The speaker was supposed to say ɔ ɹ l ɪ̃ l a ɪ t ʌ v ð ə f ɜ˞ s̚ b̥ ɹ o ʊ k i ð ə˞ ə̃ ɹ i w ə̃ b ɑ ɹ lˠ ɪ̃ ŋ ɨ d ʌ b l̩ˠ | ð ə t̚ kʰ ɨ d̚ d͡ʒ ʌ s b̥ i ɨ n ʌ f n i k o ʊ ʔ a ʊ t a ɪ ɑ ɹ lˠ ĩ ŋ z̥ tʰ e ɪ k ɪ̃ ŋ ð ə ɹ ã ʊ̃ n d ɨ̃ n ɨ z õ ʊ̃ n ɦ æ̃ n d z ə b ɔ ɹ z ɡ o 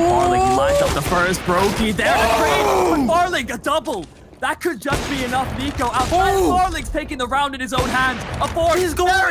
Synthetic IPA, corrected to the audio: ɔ ɹ l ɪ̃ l a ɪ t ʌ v ð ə f ɜ˞ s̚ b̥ ɹ o ʊ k i ð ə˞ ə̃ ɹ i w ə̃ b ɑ ɹ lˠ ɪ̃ ŋ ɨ d ʌ b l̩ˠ | ð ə t̚ kʰ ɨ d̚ d͡ʒ ʌ s b̥ i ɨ n ʌ f n i k o ʊ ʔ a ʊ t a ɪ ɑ ɹ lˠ ɪ̃ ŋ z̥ tʰ e ɪ k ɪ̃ ŋ ð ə ɹ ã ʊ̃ n d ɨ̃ n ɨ z õ ʊ̃ n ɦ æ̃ n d z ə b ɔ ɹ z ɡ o